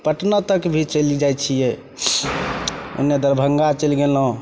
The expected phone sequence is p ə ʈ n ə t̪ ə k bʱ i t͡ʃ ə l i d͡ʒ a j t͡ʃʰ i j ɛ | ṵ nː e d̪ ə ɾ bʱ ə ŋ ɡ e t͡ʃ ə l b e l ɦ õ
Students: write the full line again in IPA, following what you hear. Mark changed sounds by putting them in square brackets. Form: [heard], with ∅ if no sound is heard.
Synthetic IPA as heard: p ə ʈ n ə t̪ ə k bʱ i t͡ʃ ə l i d͡ʒ a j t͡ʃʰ i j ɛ | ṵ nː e d̪ ə ɾ bʱ ə ŋ ɡ [a] t͡ʃ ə l [ɡ] e l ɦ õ